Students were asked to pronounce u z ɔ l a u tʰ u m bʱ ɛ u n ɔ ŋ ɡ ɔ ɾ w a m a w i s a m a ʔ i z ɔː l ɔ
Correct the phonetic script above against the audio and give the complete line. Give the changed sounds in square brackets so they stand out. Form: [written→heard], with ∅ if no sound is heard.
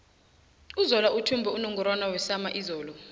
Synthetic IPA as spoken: u z ɔ l a u tʰ u m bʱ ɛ u n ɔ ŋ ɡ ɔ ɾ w a [m→n] a w [i→ɛ] s a m a ʔ i z ɔː l ɔ